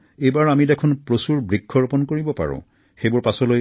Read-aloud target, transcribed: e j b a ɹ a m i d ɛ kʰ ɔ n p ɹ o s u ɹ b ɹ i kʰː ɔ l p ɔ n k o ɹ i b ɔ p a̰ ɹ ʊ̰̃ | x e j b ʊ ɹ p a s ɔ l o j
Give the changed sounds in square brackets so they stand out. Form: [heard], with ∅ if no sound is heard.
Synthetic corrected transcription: e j b a ɹ a m i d ɛ kʰ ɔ n p ɹ o s u ɹ b ɹ i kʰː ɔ [ɹ] p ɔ n k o ɹ i b ɔ p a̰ ɹ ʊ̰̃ | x e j b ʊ ɹ p a s ɔ l o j

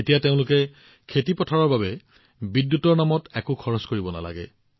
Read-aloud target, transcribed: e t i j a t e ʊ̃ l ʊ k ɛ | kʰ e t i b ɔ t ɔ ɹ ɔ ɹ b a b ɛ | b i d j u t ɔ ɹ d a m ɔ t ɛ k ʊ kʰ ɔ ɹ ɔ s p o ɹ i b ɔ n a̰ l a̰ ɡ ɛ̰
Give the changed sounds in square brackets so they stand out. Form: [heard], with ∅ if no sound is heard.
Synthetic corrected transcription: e t i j a t e ʊ̃ l ʊ k ɛ | kʰ e t i [p] ɔ [tʰ] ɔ ɹ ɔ ɹ b a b ɛ | b i d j u t ɔ ɹ [n] a m ɔ t ɛ k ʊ kʰ ɔ ɹ ɔ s [k] o ɹ i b ɔ n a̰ l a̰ ɡ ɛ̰

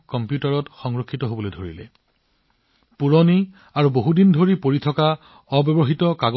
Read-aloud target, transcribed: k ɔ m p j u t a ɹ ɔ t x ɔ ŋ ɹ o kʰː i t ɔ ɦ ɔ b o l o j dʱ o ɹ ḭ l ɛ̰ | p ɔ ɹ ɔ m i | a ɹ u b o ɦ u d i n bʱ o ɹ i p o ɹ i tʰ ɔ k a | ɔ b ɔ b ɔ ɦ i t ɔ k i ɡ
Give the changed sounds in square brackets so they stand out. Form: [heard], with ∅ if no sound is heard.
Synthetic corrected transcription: k ɔ m p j u t a ɹ ɔ t x ɔ ŋ ɹ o kʰː i t ɔ ɦ [o] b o l o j dʱ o ɹ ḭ l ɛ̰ | p [u] ɹ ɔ [n] i | a ɹ u b o ɦ u d i n [dʱ] o ɹ i p o ɹ i tʰ ɔ k a | ɔ b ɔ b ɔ ɦ i t ɔ k [a] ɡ

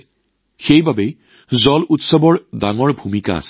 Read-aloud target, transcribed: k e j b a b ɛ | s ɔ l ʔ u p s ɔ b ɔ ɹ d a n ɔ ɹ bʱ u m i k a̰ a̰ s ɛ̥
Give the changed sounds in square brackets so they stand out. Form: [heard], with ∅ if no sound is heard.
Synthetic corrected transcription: [x] e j b a b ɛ | [z] ɔ l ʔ u [t] s ɔ b ɔ ɹ d a [ŋ] ɔ ɹ bʱ u m i k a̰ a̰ s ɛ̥

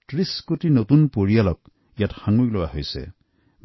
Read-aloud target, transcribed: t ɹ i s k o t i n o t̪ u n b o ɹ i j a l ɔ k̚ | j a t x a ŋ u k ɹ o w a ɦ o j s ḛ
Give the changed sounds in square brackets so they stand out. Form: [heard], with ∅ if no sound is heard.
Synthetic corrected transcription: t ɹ i s k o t i n o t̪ u n [p] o ɹ i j a l ɔ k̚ | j a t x a ŋ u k [l] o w a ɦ o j s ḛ

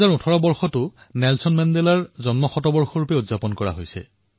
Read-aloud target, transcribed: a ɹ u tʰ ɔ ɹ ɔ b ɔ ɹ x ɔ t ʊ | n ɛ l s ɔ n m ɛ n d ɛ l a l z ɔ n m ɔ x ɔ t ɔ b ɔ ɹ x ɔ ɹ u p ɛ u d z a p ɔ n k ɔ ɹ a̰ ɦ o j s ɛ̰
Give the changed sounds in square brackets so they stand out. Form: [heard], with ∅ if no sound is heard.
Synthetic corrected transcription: a ɹ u tʰ ɔ ɹ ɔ b ɔ ɹ x ɔ t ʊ | n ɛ l s ɔ n m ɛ n d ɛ l a [ɹ] z ɔ n m ɔ x ɔ t ɔ b ɔ ɹ x ɔ ɹ u p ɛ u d z a p ɔ n k ɔ ɹ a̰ ɦ o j s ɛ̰

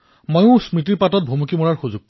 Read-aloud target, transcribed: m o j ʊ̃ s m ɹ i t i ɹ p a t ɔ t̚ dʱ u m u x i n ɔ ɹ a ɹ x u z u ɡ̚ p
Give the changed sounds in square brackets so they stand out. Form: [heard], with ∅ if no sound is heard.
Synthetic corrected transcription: m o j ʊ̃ s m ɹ i t i ɹ p a t ɔ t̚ [bʱ] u m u [k] i [m] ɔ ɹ a ɹ x u z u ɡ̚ p

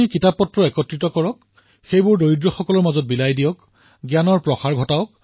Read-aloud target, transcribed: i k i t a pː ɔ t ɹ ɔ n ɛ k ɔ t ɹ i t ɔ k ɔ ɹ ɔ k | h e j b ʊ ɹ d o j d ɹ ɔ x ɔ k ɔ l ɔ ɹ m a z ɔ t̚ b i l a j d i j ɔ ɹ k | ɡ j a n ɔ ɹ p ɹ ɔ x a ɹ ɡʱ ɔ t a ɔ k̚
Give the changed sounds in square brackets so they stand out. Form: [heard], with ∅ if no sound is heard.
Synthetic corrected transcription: i k i t a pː ɔ t ɹ ɔ [∅] ɛ k ɔ t ɹ i t ɔ k ɔ ɹ ɔ k | [x] e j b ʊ ɹ d o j d ɹ ɔ x ɔ k ɔ l ɔ ɹ m a z ɔ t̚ b i l a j d i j ɔ [∅] k | ɡ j a n ɔ ɹ p ɹ ɔ x a ɹ ɡʱ ɔ t a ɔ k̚

